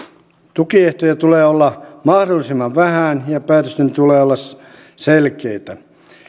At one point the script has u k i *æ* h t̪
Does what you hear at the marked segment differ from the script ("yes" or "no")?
yes